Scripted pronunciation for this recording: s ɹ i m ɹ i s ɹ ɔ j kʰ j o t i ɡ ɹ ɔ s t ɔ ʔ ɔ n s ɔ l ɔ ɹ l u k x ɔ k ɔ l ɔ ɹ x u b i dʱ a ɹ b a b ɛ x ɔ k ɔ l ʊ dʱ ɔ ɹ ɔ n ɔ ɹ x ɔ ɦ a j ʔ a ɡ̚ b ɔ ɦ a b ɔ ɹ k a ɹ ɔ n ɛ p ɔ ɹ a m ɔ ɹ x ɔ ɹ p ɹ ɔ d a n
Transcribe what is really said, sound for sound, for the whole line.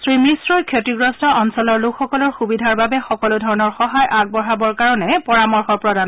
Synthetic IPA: s ɹ i m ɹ i s ɹ ɔ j kʰ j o t i ɡ ɹ ɔ s t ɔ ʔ ɔ n s ɔ l ɔ ɹ l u k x ɔ k ɔ l ɔ ɹ x u b i dʱ a ɹ b a b ɛ x ɔ k ɔ l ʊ dʱ ɔ ɹ ɔ n ɔ ɹ x ɔ ɦ a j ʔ a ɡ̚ b ɔ ɦ a b ɔ ɹ k a ɹ ɔ n ɛ p ɔ ɹ a m ɔ ɹ x ɔ ɹ p ɹ ɔ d a n